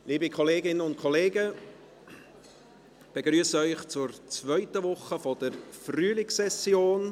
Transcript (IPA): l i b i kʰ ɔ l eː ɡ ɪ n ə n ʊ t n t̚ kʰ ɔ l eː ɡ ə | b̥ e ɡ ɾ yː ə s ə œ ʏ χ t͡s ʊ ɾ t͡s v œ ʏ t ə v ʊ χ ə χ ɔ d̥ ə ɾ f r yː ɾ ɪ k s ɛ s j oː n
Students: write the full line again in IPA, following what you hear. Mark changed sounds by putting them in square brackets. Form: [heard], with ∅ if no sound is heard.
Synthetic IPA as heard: l [iː] b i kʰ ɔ l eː ɡ ɪ n ə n ʊ [∅] n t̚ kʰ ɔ l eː ɡ ə | b̥ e ɡ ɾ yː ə s ə œ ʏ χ t͡s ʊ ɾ t͡s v œ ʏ t ə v ʊ χ ə [f] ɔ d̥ ə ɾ f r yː [l] ɪ k s ɛ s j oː n